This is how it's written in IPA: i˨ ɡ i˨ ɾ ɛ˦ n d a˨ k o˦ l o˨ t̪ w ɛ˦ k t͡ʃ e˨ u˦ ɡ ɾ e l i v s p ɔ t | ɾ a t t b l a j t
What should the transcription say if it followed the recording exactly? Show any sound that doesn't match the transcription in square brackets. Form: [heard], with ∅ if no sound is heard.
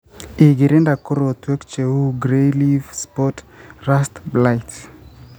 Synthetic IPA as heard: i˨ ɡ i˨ ɾ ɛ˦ n d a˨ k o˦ [ɾ] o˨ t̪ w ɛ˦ k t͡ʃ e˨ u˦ ɡ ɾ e l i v s p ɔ t | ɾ a [s] t b l a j t

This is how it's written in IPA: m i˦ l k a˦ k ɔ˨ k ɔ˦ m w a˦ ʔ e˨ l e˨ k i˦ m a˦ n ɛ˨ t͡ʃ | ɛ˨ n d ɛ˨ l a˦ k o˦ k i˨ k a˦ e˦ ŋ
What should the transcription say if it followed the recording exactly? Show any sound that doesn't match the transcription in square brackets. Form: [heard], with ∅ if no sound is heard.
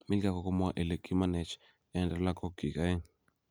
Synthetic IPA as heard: m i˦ l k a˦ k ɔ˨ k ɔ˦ m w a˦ ʔ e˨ l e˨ k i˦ m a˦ n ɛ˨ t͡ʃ | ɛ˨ n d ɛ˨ l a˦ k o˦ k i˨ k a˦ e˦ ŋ

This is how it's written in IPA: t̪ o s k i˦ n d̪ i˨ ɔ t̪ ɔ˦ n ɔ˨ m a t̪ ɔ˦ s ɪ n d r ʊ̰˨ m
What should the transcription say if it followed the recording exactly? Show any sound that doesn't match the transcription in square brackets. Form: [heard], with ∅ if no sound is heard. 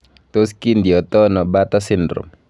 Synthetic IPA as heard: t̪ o s k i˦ n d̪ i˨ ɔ t̪ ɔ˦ n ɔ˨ [b] a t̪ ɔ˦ s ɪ n d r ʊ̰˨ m

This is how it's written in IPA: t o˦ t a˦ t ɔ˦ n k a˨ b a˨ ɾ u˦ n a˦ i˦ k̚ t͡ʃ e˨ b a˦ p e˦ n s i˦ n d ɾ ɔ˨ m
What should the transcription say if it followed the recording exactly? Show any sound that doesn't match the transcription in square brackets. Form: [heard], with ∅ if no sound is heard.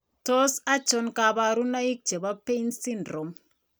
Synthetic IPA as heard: t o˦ [s] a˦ [t͡ʃ] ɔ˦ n k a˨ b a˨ ɾ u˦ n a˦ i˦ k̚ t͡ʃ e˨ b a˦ p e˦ n s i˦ n d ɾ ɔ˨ m

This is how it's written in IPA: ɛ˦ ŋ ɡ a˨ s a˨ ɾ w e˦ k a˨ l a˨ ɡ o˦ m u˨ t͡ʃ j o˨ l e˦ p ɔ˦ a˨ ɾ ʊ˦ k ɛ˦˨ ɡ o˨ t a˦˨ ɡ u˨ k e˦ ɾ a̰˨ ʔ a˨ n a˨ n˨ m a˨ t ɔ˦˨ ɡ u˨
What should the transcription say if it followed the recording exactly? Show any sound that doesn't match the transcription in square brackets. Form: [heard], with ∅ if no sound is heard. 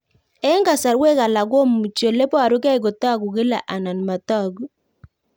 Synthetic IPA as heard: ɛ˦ ŋ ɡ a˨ s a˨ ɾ w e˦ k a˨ l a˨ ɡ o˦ m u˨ t͡ʃ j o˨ l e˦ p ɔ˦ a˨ ɾ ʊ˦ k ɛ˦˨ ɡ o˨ t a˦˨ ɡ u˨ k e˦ [l] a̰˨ ʔ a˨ n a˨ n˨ m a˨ t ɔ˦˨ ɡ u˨

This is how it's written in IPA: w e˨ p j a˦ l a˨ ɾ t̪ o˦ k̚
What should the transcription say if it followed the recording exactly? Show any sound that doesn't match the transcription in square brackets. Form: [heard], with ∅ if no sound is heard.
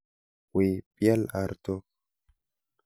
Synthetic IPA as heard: w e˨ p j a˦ l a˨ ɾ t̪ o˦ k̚

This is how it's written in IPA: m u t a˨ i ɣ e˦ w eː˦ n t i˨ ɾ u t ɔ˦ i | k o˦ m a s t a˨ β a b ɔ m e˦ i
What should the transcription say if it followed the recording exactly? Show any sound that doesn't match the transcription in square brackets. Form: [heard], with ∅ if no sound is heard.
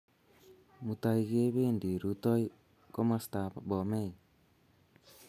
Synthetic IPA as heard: m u t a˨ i ɣ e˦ [β] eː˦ n [d] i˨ ɾ u t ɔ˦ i | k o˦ m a s t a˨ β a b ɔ m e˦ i

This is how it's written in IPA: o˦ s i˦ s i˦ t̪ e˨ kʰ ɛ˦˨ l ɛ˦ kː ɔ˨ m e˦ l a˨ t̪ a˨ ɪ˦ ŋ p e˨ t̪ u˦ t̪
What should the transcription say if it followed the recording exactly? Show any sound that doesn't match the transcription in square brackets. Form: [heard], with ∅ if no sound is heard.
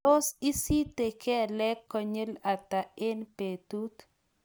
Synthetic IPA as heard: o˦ s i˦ s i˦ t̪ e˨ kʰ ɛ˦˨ l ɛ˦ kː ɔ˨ [ɲ] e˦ l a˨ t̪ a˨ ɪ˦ [n] p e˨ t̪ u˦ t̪

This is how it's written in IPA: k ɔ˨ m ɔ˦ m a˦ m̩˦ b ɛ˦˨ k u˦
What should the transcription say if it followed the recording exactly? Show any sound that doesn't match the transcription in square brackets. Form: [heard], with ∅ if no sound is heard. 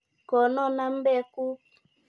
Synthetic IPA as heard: k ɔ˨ [n] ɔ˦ [n] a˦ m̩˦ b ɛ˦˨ k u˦

